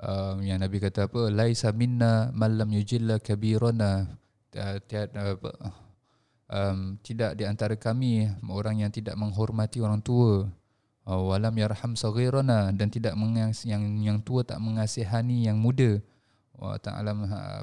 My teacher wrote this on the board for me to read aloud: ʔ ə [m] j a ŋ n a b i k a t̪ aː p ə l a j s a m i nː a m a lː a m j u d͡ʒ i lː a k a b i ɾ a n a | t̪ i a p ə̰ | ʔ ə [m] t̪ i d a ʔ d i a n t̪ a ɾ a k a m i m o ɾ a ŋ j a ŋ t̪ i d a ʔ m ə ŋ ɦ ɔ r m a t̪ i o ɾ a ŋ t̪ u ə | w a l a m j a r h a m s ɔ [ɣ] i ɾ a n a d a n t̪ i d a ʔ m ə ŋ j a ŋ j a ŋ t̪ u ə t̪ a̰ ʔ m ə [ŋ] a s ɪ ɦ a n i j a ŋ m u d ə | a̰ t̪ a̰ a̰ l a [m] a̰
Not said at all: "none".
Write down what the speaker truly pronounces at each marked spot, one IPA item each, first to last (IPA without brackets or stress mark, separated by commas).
m, m, ɣ, ŋ, m